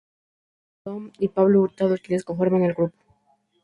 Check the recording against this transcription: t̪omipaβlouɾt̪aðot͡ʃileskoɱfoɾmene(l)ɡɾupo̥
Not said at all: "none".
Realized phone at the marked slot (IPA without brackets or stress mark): l